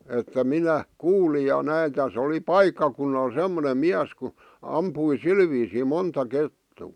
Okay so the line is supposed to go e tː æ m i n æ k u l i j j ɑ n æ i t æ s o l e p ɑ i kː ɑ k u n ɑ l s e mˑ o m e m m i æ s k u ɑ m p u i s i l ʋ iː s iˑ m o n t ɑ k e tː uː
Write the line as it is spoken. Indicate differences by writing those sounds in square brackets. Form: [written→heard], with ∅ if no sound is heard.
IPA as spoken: e tː æ m i n æ k [u→uː] l i j j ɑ n æ i t æ s o l [e→i] p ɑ i kː ɑ k u [n→nː] ɑ l s e mˑ o [m→n] e m m i æ s k u ɑ m p u i s i l ʋ iː s iˑ m o n t ɑ k e tː uː